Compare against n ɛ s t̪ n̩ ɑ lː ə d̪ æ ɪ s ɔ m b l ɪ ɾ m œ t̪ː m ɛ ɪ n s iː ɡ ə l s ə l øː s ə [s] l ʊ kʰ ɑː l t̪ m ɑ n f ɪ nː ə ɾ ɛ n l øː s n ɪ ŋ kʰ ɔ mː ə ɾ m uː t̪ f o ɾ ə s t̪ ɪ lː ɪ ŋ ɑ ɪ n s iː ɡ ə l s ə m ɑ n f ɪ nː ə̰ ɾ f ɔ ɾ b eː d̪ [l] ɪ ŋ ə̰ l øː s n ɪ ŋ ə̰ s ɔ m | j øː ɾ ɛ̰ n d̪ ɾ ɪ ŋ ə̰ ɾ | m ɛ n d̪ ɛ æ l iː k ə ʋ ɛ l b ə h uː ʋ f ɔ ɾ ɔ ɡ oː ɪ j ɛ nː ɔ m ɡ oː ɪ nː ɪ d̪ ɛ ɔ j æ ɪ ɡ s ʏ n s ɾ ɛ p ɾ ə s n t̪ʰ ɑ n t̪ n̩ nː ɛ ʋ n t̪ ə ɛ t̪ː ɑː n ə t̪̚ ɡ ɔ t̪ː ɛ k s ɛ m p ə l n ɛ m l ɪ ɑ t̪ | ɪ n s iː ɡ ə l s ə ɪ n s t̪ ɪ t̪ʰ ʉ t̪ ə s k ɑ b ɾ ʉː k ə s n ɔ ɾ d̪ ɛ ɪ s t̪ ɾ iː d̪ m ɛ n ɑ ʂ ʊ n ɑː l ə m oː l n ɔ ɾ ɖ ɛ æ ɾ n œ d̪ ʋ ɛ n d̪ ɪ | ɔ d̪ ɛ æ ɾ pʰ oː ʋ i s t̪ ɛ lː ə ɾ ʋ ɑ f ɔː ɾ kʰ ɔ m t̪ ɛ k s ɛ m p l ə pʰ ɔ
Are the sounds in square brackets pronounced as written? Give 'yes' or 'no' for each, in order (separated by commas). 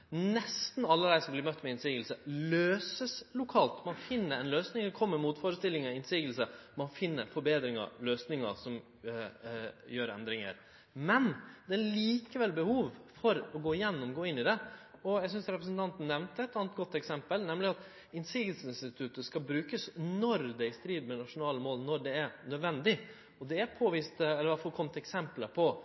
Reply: yes, no